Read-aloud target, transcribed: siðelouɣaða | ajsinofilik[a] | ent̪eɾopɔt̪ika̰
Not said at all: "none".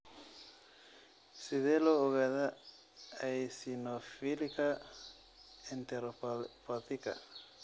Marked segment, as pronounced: a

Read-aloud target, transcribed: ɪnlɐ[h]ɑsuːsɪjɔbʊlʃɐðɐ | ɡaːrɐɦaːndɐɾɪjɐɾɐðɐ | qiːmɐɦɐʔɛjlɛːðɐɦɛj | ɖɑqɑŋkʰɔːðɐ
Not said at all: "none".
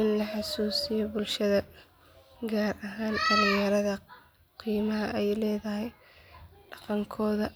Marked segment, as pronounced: ħ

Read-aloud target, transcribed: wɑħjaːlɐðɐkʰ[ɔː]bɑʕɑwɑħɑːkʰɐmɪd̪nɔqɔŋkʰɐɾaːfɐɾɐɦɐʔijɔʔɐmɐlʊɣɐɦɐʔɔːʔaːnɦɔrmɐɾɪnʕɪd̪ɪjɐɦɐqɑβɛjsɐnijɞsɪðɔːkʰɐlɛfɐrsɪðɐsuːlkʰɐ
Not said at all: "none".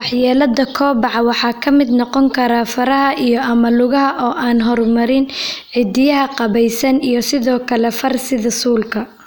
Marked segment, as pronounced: ɔː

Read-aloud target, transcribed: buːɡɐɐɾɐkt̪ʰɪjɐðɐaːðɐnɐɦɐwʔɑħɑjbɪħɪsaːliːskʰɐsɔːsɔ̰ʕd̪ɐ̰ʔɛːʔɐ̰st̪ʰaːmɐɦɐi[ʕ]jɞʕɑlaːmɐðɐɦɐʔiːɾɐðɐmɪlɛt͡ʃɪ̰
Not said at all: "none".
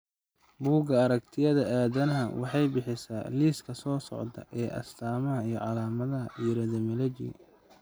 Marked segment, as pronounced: none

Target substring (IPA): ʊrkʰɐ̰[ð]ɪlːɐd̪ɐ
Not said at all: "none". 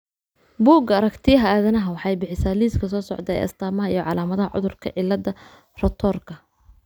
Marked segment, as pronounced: ʕ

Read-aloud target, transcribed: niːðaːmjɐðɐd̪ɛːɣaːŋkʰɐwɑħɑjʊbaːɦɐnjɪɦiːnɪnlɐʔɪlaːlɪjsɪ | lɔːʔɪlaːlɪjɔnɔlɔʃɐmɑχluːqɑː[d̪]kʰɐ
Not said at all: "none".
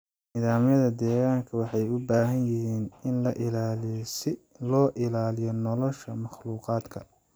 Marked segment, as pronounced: d̪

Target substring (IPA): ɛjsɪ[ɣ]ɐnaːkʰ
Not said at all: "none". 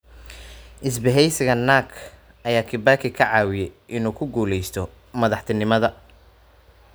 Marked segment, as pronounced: ɣ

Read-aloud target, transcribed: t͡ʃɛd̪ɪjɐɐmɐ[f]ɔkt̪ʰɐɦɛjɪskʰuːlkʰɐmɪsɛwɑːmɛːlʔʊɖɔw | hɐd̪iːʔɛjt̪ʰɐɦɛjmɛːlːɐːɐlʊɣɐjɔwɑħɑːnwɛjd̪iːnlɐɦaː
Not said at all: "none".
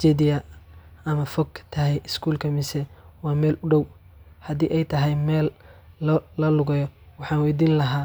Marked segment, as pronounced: f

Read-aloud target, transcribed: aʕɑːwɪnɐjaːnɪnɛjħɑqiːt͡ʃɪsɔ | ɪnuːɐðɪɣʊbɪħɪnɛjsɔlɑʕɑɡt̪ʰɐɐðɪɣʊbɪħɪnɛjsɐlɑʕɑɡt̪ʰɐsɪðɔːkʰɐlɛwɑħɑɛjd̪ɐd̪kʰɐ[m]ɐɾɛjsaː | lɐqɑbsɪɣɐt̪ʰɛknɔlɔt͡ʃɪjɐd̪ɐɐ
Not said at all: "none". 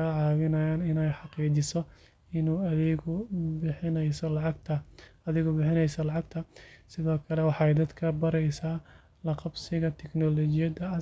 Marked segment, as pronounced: b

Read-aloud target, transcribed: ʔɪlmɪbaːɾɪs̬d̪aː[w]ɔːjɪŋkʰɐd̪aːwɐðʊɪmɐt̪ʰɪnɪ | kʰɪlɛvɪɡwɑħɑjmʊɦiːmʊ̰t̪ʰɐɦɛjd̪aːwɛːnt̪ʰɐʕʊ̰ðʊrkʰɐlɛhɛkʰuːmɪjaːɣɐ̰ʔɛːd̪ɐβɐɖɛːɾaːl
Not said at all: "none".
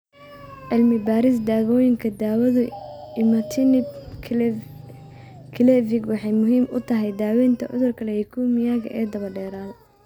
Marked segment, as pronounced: ɣ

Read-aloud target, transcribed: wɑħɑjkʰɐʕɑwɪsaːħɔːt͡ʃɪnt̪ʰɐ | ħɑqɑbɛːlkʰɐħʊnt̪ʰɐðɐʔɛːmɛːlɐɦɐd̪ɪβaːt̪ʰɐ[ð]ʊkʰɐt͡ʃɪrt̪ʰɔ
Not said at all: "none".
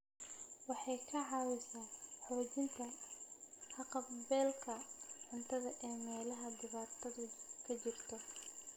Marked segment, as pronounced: ð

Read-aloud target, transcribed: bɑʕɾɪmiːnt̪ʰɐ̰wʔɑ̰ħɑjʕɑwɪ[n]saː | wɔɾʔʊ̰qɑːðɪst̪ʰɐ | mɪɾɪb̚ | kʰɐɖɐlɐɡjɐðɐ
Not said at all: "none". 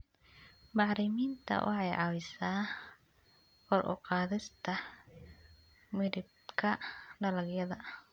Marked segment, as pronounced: none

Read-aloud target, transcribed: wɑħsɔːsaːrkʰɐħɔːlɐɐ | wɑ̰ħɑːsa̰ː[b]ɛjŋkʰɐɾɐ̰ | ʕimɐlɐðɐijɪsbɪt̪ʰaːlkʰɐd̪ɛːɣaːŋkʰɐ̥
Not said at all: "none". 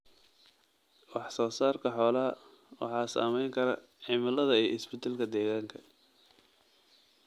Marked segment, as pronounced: m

